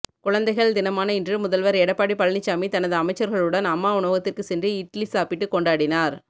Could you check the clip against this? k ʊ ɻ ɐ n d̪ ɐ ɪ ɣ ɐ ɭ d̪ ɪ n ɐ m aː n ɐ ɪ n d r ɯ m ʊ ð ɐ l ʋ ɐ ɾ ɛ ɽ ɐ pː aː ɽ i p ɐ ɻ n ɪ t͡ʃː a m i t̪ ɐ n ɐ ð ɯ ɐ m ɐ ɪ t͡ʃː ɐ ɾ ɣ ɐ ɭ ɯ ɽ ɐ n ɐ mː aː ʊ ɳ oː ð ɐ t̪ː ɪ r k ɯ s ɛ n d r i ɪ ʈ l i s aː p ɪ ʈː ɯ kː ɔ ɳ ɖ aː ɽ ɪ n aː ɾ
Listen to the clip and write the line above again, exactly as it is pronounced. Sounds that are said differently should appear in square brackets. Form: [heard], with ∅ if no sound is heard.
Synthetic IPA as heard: k ʊ ɻ ɐ n d̪ ɐ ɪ ɣ ɐ ɭ d̪ ɪ n ɐ m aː n ɐ ɪ n d r ɯ m ʊ ð ɐ l ʋ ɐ ɾ ɛ ɽ ɐ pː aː ɽ i p ɐ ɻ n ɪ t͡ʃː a m i t̪ ɐ n ɐ ð ɯ ɐ m ɐ ɪ t͡ʃː ɐ ɾ ɣ ɐ ɭ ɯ ɽ ɐ n ɐ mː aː ʊ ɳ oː [ɣ] ɐ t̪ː ɪ r k ɯ s ɛ n d r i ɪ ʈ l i s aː p ɪ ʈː ɯ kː ɔ ɳ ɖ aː ɽ ɪ n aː ɾ